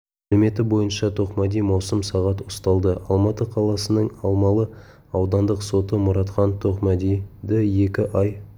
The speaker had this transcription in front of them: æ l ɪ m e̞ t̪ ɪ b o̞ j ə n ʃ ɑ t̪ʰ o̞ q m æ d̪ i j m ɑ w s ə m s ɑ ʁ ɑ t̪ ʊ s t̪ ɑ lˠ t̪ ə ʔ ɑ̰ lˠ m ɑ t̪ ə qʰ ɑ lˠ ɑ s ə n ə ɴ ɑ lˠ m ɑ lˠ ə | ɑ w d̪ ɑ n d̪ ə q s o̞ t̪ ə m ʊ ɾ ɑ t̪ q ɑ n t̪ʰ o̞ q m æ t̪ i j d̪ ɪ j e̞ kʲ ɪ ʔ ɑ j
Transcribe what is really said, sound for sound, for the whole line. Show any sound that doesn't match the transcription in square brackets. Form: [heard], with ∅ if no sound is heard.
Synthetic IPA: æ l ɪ m e̞ t̪ ɪ b o̞ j ə n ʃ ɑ t̪ʰ o̞ q m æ d̪ i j m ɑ w s ə m s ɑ ʁ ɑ t̪ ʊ s t̪ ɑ lˠ [d̪] ə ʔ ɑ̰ lˠ m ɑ t̪ ə qʰ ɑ lˠ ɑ s ə n ə ɴ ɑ lˠ m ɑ lˠ ə | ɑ w d̪ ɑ n d̪ ə q s o̞ t̪ ə m ʊ ɾ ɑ t̪ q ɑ n t̪ʰ o̞ q m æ [d̪] i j d̪ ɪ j e̞ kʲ ɪ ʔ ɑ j